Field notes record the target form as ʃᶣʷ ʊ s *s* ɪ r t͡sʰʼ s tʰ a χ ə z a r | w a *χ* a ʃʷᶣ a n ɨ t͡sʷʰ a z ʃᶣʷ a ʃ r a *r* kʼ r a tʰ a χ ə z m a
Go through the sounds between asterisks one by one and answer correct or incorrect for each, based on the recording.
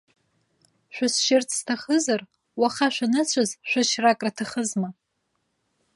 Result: incorrect: ʃ, correct, incorrect: none

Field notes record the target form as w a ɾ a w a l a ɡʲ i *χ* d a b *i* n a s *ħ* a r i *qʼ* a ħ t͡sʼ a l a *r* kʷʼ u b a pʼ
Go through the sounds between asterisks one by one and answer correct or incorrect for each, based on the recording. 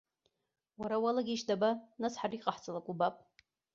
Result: incorrect: ʃ, incorrect: a, correct, correct, incorrect: none

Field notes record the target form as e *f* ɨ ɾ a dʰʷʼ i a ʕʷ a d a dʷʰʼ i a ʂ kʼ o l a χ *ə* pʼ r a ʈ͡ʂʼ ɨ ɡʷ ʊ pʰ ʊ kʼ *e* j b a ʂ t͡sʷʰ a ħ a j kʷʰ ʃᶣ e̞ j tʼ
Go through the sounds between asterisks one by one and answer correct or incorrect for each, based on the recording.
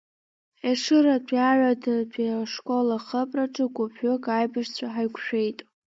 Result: incorrect: ʂ, correct, incorrect: a

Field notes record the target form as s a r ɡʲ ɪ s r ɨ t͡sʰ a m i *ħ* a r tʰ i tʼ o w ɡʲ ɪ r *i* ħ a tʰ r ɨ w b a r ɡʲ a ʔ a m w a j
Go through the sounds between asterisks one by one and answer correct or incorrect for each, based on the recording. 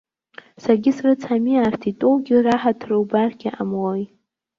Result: incorrect: none, incorrect: a

